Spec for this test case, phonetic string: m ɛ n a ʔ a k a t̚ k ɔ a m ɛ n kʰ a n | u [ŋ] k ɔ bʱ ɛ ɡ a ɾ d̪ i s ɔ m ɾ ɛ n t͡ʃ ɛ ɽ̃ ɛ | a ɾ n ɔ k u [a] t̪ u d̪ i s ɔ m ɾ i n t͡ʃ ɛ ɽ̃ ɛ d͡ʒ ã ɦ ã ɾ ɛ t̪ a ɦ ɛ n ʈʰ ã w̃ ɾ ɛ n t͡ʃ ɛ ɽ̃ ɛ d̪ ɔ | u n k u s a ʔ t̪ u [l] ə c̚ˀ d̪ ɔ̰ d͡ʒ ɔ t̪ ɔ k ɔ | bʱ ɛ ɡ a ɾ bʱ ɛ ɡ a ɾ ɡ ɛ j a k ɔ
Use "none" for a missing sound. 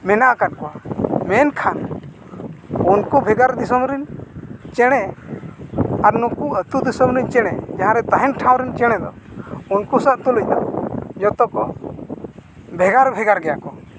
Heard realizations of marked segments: n, ə, l

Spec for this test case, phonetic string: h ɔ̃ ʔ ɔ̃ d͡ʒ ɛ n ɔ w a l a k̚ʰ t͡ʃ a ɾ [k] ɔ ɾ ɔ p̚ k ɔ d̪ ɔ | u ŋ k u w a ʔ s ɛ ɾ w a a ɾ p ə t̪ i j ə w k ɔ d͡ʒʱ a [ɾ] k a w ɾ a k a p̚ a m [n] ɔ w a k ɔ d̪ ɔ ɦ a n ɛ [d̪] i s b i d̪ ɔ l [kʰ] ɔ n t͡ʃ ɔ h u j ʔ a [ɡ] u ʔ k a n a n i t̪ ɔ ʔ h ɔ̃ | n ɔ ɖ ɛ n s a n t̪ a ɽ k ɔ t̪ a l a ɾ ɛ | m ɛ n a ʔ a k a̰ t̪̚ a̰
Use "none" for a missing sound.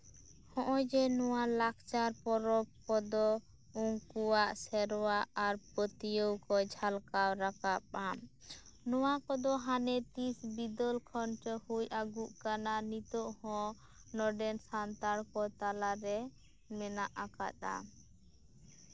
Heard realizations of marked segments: p, l, n, t̪, kʰ, ɡ

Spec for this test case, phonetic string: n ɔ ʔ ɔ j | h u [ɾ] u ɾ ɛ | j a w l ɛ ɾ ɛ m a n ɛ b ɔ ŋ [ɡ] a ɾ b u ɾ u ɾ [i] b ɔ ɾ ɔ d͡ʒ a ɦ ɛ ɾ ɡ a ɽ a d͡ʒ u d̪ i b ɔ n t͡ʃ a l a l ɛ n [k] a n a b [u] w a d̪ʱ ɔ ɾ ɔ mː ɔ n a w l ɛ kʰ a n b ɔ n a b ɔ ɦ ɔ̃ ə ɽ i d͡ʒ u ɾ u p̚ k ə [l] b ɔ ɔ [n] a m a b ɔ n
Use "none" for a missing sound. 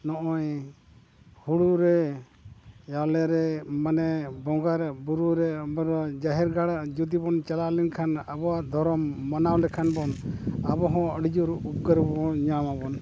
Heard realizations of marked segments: ɽ, ɡ, ɛ, kʰ, ɔ, ɾ, ɲ

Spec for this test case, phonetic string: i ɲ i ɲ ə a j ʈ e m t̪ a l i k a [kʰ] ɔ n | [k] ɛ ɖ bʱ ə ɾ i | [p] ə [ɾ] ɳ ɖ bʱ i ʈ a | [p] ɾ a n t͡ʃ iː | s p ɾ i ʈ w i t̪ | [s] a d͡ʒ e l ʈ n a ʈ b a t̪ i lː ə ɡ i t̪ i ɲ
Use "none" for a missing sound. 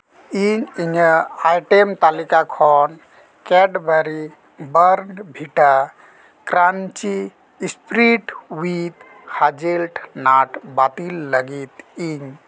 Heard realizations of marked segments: kʰ, k, b, ɾ, k, h

